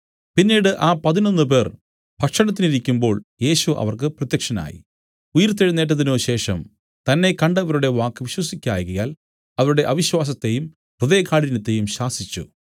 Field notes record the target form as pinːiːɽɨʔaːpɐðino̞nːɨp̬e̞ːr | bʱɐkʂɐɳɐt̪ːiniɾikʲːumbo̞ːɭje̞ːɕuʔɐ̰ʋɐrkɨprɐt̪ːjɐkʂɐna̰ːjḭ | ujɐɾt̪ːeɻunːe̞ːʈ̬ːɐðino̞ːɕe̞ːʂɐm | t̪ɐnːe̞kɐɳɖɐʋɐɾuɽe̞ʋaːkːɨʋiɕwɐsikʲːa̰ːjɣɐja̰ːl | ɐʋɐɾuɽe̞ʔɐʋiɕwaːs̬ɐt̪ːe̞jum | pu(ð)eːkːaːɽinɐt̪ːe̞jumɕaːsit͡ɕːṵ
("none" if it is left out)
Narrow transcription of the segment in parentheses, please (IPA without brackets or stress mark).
ð